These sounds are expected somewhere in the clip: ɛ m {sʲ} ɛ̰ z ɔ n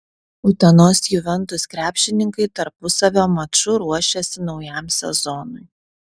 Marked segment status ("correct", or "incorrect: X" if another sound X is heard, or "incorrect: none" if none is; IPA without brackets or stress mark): correct